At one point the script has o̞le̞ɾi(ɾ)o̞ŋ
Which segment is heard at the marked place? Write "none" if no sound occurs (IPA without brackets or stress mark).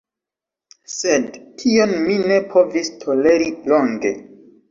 l